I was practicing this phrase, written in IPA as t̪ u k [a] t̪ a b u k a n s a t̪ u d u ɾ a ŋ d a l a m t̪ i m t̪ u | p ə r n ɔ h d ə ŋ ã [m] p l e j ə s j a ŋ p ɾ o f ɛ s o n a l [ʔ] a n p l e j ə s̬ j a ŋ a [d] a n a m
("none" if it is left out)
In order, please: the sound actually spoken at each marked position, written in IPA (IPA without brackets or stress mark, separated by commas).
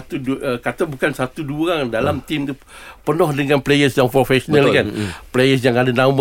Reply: a, n, k, d